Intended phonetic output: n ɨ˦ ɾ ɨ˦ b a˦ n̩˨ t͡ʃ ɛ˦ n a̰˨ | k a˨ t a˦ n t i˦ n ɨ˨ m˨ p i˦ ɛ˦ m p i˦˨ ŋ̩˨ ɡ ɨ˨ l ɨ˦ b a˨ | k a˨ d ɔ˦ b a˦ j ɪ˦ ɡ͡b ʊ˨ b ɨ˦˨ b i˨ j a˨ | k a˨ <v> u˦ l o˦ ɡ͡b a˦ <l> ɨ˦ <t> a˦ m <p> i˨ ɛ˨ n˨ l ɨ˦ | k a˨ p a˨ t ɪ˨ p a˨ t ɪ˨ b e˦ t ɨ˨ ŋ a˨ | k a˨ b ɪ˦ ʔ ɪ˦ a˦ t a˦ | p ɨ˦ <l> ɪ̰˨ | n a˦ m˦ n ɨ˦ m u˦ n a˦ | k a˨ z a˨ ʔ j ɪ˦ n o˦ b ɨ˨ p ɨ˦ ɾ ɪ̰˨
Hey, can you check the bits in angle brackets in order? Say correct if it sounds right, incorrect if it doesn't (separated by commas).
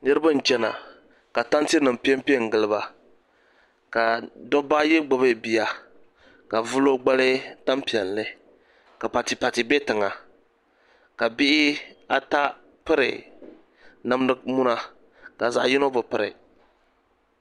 correct, correct, correct, correct, incorrect